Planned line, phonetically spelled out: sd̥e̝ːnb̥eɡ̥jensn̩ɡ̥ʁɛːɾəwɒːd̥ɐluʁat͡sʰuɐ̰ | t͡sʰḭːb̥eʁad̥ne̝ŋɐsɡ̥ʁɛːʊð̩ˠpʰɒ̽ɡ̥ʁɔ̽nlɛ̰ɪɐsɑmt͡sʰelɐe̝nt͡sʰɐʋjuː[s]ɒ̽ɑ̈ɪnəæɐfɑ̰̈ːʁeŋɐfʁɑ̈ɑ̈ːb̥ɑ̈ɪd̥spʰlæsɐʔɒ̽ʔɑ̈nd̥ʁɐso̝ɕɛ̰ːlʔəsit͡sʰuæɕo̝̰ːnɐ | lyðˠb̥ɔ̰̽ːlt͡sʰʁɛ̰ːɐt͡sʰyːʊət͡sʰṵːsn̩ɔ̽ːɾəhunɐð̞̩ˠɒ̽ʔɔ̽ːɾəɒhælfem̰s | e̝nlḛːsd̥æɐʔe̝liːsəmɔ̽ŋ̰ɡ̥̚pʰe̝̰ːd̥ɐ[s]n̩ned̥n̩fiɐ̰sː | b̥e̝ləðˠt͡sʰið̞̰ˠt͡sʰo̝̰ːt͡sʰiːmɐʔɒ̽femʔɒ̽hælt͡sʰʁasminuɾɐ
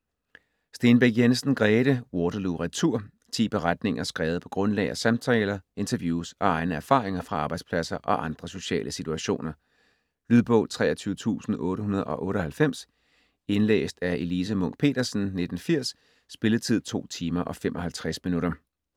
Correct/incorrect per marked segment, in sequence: correct, correct

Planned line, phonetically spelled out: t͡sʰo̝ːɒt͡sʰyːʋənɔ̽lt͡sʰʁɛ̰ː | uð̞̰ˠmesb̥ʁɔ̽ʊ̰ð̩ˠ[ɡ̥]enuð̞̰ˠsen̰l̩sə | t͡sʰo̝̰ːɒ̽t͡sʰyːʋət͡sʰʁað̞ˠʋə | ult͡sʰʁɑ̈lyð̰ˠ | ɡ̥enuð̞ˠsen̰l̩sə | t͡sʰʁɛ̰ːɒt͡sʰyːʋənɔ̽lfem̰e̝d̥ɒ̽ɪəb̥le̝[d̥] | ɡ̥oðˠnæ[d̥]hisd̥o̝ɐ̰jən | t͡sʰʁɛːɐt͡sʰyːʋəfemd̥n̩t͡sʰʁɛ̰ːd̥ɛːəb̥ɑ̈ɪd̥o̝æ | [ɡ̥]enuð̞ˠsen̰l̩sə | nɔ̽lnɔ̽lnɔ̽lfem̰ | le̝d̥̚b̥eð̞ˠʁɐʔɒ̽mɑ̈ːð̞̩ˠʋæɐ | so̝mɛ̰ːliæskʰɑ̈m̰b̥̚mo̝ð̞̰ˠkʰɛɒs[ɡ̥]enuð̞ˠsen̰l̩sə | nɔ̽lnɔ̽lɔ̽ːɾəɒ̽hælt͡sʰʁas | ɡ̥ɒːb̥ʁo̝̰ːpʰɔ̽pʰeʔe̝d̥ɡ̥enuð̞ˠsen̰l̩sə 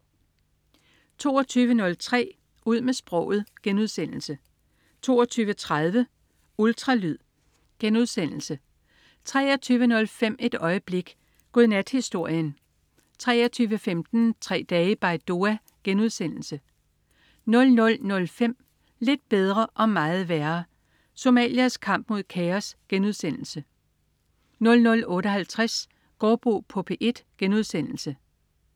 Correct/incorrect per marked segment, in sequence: correct, incorrect: ɡ̥, correct, correct, correct

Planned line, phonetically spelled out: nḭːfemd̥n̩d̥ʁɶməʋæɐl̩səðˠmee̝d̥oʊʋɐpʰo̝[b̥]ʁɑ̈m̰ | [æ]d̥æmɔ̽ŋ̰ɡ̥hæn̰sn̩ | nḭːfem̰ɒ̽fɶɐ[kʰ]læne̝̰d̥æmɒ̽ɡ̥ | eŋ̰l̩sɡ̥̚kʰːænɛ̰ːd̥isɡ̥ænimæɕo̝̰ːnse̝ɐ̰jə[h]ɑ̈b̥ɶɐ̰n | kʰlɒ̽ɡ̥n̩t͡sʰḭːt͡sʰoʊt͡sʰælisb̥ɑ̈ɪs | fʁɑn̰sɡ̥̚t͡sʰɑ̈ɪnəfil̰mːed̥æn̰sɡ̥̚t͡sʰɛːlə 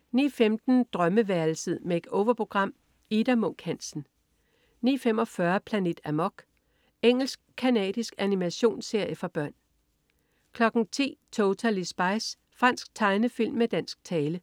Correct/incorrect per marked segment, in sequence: incorrect: ɡ̥, incorrect: i, incorrect: pʰ, incorrect: f

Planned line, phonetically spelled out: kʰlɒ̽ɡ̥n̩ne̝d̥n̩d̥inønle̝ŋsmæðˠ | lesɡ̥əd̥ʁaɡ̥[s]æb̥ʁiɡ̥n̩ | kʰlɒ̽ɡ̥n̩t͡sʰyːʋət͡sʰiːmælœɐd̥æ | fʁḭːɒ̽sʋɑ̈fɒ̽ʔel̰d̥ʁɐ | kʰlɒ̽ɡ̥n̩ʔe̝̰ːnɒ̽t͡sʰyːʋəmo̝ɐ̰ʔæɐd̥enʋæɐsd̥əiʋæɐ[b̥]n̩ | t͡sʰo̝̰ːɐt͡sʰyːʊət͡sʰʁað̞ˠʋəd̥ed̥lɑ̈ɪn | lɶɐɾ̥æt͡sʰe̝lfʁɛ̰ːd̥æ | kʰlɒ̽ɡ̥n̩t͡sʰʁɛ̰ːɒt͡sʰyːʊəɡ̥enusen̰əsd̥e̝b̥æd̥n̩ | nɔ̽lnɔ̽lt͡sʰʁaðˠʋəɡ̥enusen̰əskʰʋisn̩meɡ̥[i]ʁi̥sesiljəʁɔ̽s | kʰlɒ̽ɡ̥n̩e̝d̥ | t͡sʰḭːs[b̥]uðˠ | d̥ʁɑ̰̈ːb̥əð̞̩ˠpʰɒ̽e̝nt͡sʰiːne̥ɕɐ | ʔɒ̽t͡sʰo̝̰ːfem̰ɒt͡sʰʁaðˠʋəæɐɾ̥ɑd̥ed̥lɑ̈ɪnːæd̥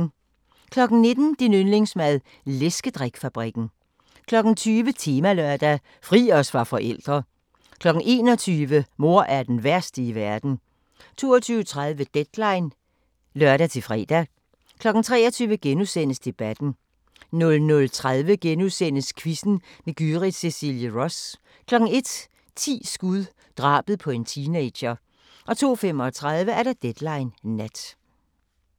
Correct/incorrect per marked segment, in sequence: incorrect: f, incorrect: d̥, incorrect: y, incorrect: ɡ̥

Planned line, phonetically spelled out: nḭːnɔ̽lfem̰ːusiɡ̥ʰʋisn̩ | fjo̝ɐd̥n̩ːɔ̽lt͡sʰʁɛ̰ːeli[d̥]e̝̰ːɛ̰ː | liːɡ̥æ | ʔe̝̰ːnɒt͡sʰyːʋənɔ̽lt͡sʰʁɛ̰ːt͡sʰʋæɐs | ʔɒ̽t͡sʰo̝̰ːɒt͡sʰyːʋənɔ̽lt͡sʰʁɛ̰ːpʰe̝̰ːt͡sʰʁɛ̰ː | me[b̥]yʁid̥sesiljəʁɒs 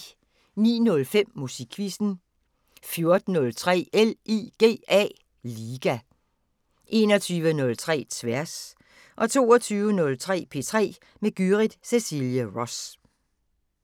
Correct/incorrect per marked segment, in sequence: incorrect: ɡ̥, incorrect: ɡ̥

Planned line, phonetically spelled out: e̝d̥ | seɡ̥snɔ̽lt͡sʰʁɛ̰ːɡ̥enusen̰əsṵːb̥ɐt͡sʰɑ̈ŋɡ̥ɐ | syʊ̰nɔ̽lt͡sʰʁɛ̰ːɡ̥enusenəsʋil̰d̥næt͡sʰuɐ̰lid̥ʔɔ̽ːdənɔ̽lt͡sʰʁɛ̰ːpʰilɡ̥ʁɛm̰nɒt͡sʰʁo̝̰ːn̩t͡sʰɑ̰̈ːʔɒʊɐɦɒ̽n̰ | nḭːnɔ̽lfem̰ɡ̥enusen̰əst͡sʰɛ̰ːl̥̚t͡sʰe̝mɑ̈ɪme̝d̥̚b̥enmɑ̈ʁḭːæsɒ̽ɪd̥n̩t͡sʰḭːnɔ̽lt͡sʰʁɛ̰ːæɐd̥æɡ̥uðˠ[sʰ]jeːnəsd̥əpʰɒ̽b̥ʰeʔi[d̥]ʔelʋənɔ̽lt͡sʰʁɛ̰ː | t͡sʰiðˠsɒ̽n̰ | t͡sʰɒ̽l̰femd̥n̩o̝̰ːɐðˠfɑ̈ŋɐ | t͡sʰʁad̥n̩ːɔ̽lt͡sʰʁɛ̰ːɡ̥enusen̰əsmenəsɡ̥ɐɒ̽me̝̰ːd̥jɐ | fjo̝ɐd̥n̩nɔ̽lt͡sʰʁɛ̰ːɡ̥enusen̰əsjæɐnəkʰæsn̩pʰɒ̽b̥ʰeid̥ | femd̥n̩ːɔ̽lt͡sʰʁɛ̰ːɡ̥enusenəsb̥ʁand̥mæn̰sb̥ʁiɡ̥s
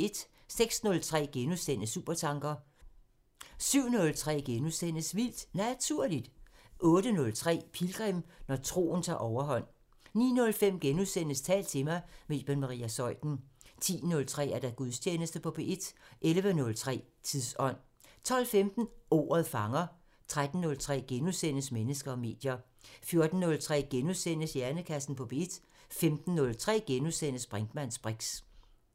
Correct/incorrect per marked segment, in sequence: correct, correct

